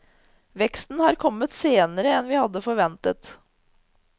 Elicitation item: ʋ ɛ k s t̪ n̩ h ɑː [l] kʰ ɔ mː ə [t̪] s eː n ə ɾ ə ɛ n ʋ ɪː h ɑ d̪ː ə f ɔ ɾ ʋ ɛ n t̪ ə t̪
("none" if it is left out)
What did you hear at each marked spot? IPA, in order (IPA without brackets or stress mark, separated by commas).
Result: ɾ, t̪